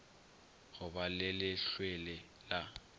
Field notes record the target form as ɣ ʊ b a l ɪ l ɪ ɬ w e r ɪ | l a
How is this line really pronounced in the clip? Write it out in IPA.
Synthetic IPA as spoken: ɣ ʊ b a l ɪ l ɪ ɬ w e l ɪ | l a